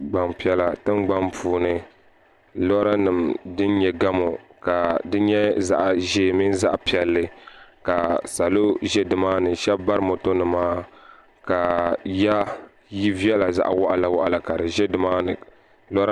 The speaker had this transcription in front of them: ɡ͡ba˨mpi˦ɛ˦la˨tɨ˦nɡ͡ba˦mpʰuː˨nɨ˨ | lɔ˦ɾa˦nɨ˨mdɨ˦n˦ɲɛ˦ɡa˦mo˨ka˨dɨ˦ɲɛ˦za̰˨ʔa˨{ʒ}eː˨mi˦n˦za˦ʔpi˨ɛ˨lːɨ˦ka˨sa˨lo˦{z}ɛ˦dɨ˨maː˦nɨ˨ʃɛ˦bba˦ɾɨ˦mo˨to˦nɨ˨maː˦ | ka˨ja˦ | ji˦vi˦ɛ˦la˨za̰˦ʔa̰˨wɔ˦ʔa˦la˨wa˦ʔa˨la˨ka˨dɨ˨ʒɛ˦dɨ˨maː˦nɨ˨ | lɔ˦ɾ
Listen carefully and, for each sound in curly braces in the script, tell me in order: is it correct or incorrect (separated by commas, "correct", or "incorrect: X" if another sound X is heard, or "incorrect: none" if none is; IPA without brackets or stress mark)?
correct, incorrect: ʒ